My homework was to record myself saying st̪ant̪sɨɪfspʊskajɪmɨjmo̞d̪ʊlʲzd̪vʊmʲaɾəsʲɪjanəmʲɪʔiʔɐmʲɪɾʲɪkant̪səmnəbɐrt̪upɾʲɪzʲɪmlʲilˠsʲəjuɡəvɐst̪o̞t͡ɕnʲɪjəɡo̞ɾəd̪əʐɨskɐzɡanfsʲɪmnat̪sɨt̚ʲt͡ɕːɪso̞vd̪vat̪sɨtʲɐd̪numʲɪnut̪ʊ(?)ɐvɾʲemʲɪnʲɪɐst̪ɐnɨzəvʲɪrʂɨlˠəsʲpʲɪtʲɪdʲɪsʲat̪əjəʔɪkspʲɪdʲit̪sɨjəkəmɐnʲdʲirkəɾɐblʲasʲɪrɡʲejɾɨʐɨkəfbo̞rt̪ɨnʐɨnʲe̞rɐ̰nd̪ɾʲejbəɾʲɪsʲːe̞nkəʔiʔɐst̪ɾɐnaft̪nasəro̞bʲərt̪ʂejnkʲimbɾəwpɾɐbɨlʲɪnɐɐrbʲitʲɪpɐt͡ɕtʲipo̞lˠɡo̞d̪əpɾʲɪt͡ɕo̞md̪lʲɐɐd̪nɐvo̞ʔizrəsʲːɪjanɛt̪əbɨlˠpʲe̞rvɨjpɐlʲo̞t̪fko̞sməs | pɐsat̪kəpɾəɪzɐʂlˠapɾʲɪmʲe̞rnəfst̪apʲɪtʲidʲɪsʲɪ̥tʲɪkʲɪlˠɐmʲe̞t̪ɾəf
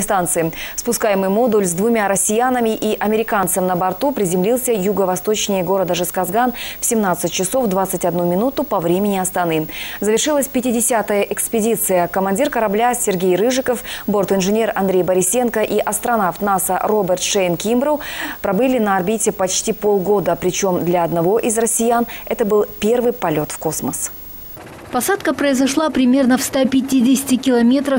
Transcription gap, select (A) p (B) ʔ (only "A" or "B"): A